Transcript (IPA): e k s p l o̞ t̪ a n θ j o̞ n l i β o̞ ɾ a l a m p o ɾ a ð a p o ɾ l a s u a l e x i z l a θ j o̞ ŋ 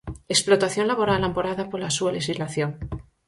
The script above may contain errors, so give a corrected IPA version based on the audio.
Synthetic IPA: e k s p l o̞ t̪ a θ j o̞ n l a β o̞ ɾ a l a m p o ɾ a ð a p o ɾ l a s u a l e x i z l a θ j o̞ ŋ